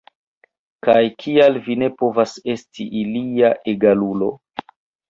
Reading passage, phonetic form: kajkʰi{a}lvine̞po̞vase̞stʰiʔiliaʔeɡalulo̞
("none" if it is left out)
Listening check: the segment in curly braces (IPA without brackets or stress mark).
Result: a